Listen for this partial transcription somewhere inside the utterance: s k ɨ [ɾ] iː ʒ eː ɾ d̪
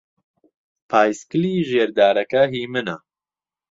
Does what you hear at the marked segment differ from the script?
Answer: yes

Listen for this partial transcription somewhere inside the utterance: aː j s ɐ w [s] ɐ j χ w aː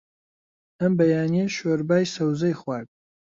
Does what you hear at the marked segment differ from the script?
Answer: yes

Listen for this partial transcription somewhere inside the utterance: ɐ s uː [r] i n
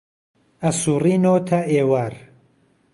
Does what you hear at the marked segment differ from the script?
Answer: no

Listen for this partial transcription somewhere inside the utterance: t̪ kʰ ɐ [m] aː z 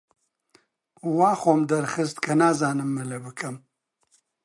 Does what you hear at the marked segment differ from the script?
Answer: yes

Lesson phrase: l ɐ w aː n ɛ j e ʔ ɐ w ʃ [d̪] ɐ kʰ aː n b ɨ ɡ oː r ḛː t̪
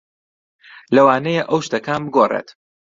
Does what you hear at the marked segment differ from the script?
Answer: yes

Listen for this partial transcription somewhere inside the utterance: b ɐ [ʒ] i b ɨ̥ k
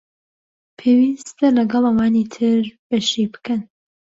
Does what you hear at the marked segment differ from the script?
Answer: yes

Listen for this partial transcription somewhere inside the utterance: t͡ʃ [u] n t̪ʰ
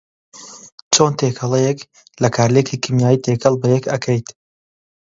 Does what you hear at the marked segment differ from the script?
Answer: yes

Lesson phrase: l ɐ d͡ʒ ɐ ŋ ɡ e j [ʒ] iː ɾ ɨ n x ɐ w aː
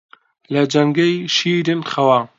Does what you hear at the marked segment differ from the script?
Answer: yes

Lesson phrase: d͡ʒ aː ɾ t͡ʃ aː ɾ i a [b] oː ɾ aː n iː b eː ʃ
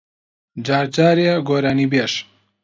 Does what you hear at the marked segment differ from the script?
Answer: yes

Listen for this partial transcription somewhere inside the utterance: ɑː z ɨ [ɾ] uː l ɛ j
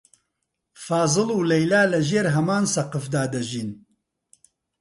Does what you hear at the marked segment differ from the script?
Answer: yes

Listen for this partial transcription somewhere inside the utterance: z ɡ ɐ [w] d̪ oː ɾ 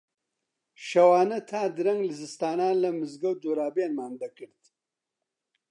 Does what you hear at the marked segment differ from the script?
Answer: no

